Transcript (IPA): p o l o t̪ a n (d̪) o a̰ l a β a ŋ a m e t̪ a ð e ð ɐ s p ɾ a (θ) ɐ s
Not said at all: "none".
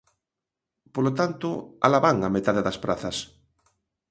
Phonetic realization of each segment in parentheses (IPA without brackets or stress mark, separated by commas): t̪, θ